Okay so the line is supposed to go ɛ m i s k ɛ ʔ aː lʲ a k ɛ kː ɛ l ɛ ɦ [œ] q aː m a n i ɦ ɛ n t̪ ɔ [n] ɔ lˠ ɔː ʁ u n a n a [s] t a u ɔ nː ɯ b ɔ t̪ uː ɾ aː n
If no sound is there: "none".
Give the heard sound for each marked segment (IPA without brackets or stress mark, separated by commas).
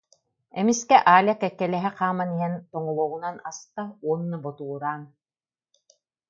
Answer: ɛ, ŋ, s